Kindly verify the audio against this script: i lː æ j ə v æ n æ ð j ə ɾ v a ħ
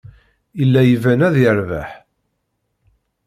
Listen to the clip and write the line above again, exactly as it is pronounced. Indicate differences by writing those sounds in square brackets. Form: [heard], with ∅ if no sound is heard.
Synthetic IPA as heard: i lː æ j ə v æ n æ ð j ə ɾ v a ħ